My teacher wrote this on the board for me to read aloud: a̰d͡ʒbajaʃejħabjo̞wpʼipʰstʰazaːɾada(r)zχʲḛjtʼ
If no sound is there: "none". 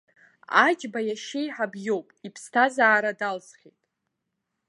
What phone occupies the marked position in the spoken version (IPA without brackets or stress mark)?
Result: l